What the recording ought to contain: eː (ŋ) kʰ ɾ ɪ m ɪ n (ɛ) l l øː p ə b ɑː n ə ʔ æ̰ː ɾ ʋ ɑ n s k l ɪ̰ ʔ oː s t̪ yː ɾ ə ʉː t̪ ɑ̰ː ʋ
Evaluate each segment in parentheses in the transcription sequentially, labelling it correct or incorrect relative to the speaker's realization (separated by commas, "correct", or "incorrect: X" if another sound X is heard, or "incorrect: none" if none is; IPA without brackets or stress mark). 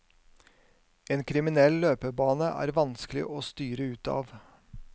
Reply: incorrect: n, correct